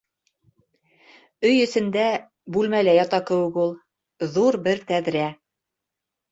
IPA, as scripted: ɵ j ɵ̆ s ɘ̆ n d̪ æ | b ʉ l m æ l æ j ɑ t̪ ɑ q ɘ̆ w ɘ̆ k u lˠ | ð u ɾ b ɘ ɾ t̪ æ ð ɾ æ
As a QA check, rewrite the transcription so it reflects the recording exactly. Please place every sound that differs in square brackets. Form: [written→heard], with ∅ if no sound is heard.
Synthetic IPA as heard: ɵ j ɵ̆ s ɘ̆ n d̪ æ | b ʉ l m æ l æ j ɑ t̪ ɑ [q→k] ɘ̆ w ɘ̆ k u lˠ | ð u ɾ b ɘ ɾ t̪ æ ð ɾ æ